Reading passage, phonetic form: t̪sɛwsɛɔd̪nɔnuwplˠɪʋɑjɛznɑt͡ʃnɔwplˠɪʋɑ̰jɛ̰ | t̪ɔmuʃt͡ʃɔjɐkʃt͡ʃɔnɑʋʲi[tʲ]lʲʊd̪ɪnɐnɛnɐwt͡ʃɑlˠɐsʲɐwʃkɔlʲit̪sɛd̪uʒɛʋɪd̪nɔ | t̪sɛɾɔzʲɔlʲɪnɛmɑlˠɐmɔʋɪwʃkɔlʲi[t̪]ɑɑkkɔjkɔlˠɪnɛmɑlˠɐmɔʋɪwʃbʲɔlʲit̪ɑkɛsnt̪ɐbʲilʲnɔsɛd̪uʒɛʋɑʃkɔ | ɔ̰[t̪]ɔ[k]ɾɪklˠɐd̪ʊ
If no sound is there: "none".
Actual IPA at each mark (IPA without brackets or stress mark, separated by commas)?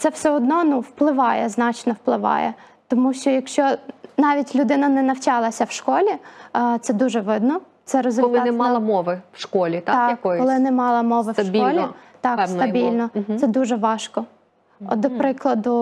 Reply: tʲ, t̪, d̪, p